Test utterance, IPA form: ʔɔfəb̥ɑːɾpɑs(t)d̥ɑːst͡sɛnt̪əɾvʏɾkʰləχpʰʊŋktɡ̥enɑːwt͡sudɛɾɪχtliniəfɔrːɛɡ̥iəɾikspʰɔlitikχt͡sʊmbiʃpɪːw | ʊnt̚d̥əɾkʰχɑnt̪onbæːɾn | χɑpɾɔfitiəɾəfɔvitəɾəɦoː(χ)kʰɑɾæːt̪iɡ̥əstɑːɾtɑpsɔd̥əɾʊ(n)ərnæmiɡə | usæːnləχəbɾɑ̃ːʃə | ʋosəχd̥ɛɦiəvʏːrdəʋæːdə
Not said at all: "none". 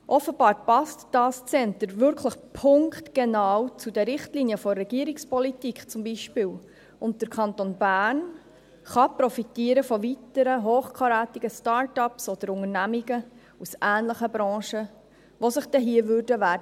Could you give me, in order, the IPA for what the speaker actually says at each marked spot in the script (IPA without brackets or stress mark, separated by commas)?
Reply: t, χ, ŋ